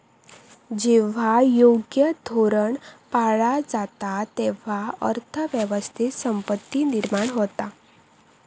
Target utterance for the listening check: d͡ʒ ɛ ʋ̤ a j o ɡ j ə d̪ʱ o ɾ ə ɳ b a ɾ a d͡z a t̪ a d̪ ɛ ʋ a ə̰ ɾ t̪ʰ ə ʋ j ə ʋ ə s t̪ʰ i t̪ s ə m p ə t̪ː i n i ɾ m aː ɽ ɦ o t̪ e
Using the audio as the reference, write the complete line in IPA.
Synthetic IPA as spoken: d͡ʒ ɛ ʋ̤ a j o ɡ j ə d̪ʱ o ɾ ə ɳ p a ɭ a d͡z a t̪ a t̪ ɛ ʋ a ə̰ ɾ t̪ʰ ə ʋ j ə ʋ ə s t̪ʰ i t̪ s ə m p ə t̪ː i n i ɾ m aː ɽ ɦ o t̪ a